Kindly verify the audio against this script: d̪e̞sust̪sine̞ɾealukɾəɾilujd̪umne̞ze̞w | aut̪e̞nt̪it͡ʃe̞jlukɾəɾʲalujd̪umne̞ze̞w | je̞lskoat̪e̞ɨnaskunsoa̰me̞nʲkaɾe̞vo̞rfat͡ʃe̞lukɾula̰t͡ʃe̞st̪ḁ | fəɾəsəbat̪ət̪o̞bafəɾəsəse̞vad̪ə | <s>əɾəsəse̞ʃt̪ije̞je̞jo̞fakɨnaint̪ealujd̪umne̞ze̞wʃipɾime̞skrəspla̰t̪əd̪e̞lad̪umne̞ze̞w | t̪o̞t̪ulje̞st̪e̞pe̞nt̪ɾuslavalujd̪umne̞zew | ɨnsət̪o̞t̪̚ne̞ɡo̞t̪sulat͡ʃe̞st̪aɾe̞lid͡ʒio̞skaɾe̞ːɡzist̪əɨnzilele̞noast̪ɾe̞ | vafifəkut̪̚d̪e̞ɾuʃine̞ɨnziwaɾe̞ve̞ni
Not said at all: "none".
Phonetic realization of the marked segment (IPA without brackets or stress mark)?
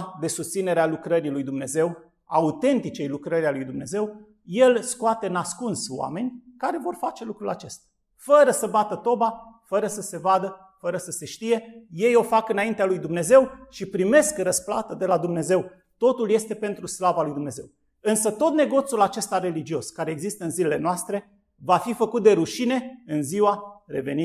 f